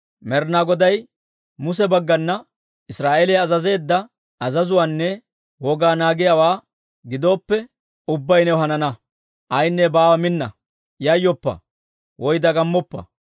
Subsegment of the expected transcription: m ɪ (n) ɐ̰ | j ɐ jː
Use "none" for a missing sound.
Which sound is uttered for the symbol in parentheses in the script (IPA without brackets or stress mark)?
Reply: nː